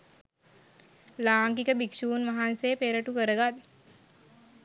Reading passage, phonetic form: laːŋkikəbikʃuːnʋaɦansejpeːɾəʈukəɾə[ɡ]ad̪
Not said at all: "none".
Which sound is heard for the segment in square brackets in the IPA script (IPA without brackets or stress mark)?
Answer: ɡ